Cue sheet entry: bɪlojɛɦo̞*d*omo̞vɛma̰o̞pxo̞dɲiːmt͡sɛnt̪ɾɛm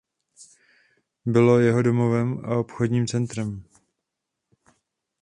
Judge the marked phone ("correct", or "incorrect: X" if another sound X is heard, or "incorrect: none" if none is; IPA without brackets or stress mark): correct